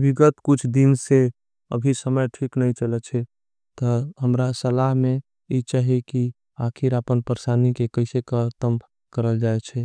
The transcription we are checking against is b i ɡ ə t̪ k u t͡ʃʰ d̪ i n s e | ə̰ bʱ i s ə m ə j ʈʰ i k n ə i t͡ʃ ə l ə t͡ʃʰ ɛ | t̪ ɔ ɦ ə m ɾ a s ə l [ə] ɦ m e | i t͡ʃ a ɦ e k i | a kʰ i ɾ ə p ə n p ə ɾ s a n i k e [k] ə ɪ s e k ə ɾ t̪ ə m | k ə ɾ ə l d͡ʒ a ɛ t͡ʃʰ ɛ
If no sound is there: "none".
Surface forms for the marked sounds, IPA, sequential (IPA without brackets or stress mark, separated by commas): a, k